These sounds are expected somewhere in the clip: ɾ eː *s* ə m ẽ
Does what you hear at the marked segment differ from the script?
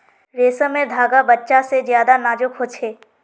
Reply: no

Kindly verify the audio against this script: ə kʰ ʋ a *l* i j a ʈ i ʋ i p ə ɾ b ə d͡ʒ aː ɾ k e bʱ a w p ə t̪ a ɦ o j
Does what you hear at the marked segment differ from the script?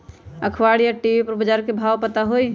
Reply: yes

